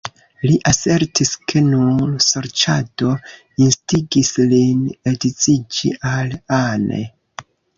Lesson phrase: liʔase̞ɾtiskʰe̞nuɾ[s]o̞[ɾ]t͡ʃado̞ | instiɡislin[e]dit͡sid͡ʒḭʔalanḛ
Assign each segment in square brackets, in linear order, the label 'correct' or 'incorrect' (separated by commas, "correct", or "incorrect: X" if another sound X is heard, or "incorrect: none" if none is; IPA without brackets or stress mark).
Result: correct, correct, correct